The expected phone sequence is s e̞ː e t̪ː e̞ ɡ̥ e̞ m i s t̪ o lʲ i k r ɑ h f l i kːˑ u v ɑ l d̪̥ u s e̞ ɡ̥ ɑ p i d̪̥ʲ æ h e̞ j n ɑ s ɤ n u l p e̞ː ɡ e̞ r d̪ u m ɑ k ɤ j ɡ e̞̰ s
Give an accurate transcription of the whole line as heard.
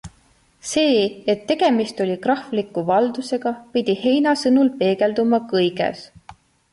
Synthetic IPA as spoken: s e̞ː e t̪ː e̞ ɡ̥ e̞ m i s t̪ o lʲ i k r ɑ h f l i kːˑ u v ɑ l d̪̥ u s e̞ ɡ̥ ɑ p i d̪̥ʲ i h e̞ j n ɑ s ɤ n u l p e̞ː ɡ e̞ l d̪ u m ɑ k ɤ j ɡ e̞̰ s